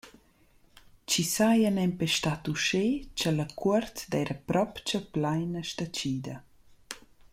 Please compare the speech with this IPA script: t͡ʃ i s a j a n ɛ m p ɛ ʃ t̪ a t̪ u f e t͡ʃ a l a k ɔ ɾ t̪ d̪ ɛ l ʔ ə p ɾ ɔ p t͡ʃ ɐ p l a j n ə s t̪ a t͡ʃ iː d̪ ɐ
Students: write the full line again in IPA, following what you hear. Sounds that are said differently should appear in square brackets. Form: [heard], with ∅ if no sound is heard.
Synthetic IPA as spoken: t͡ʃ i s a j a n ɛ m p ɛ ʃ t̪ a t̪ u [ʃ] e t͡ʃ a l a k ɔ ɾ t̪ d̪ ɛ [ɾ] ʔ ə p ɾ ɔ p t͡ʃ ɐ p l a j n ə [ʃ] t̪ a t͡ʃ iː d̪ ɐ